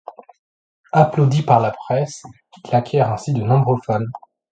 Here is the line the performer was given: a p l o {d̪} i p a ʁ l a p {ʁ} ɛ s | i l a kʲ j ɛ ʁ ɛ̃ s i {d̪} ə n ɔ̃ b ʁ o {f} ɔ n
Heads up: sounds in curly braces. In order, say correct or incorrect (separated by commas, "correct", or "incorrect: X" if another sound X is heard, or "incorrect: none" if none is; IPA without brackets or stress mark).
correct, incorrect: χ, correct, correct